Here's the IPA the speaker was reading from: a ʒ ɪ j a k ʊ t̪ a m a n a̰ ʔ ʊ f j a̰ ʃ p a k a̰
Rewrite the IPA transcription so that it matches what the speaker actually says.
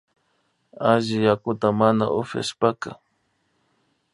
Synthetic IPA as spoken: a ʒ ɪ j a k ʊ t̪ a m a n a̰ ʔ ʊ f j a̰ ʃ p a k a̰